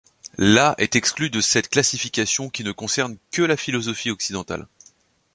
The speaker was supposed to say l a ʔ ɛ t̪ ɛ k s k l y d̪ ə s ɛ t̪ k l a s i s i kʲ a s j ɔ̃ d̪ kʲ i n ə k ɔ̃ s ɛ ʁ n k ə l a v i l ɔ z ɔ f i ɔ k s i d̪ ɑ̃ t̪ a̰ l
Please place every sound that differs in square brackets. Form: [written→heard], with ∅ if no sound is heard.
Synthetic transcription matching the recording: l a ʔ ɛ t̪ ɛ k s k l y d̪ ə s ɛ t̪ k l a s i [s→f] i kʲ a s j ɔ̃ [d̪→∅] kʲ i n ə k ɔ̃ s ɛ ʁ n k ə l a [v→f] i l ɔ z ɔ f i ɔ k s i d̪ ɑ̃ t̪ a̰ l